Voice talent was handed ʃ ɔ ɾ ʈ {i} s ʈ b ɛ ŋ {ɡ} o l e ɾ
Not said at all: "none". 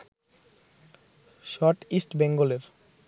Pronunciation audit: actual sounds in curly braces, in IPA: i, ɡ

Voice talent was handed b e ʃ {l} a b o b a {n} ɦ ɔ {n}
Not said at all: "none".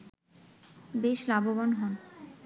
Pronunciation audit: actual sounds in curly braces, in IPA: l, n, n

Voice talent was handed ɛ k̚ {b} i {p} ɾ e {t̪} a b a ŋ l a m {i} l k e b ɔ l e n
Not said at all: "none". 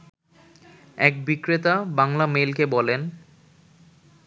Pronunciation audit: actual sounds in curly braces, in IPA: b, k, t̪, e

